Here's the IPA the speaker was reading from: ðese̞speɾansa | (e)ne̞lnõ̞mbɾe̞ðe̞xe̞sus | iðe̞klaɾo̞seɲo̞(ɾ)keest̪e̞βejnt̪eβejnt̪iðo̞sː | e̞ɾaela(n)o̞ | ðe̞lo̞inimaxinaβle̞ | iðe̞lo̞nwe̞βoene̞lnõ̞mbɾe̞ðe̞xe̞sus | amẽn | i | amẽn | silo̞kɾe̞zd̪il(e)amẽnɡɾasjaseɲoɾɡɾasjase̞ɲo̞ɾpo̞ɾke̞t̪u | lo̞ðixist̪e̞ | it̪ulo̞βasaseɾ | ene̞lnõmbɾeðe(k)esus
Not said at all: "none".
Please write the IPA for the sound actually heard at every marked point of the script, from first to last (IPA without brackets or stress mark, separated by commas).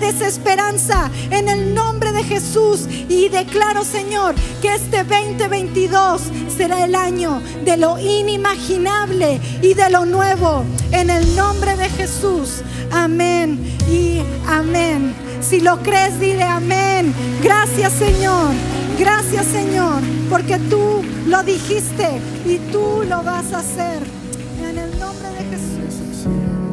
e, ɾ, ɲ, e, x